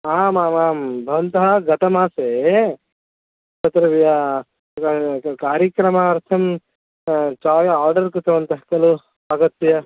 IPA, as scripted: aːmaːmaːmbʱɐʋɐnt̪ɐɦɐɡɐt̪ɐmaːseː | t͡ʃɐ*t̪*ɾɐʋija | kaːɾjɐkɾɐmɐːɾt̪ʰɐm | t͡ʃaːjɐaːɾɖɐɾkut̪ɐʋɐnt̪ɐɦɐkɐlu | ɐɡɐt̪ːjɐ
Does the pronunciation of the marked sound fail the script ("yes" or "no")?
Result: no